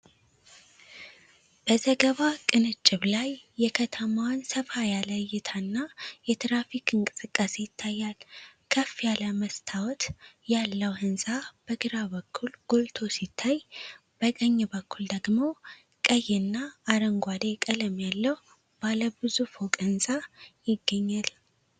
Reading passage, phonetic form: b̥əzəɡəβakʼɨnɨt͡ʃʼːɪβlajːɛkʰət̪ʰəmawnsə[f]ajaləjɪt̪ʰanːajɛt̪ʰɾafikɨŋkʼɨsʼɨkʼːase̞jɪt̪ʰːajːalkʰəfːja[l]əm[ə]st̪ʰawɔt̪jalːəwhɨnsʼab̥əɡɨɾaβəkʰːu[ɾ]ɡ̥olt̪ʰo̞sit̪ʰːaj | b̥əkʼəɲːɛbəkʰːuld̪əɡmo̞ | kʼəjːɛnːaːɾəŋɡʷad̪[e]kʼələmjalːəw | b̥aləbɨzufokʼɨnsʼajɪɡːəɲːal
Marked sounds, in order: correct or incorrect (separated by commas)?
correct, correct, correct, incorrect, correct